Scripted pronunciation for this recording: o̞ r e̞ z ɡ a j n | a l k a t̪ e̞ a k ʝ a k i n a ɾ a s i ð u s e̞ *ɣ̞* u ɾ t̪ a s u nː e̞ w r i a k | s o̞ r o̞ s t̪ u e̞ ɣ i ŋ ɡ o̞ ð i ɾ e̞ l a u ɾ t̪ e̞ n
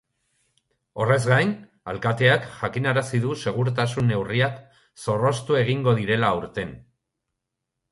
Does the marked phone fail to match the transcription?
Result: no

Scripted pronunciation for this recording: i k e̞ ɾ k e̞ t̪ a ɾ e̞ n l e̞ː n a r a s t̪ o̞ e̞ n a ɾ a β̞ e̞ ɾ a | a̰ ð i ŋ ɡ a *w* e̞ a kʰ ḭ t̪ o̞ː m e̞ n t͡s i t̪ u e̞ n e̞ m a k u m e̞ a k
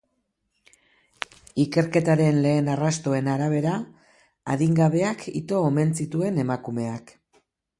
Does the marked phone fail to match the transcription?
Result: yes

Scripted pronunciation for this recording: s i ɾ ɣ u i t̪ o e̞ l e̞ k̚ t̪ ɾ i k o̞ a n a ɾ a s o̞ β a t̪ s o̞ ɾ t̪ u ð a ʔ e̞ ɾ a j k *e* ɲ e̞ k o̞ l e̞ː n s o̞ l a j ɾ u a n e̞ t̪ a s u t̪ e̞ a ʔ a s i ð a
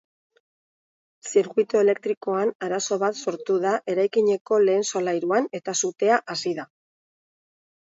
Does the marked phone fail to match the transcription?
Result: yes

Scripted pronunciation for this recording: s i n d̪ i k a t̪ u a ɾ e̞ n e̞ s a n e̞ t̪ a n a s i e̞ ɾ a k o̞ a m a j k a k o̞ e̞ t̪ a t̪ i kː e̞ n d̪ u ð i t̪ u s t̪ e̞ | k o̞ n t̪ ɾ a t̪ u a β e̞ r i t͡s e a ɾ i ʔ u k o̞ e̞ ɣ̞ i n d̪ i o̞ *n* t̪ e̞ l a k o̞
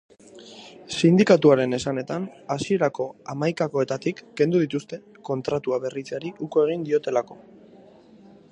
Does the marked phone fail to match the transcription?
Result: yes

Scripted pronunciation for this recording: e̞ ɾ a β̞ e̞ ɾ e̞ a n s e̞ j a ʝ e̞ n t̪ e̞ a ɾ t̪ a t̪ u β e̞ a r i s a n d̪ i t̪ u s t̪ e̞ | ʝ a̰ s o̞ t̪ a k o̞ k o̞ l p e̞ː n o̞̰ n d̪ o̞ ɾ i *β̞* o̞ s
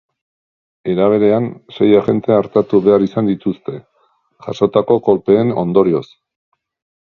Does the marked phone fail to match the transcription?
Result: yes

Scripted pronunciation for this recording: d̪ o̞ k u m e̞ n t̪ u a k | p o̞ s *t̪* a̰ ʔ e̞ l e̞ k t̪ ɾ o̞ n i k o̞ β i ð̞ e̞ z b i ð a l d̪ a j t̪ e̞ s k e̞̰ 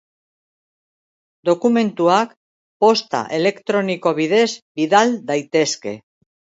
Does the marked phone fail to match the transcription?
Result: no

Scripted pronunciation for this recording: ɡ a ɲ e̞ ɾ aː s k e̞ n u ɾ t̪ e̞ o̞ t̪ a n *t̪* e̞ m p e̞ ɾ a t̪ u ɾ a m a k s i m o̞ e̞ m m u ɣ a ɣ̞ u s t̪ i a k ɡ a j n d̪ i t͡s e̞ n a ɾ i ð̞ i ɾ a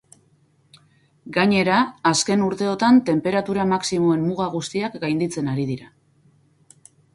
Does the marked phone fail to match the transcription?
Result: no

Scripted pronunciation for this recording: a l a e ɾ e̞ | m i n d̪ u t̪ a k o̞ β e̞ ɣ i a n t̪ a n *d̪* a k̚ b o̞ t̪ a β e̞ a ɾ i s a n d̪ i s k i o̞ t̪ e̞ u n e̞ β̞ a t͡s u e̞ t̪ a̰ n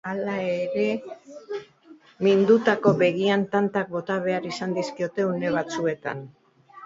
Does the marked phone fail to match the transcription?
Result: yes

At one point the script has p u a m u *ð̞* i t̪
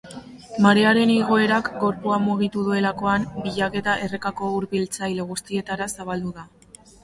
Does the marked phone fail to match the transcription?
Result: yes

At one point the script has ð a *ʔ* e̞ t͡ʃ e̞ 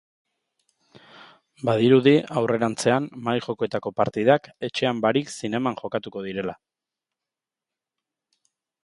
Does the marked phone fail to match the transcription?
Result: yes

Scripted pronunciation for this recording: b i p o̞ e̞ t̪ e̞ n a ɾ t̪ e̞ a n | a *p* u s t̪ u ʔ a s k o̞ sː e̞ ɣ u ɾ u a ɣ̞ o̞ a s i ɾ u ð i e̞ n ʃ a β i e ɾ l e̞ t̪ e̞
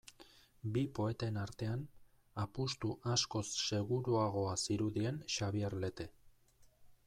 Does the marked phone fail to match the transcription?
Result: no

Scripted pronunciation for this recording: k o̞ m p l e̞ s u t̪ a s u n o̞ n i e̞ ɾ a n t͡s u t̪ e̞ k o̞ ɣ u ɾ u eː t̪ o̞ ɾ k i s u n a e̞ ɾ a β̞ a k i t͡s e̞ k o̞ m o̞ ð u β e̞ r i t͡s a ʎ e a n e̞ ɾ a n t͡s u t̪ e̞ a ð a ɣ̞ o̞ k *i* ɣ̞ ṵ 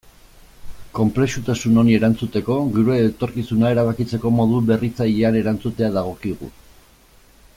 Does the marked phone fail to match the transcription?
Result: no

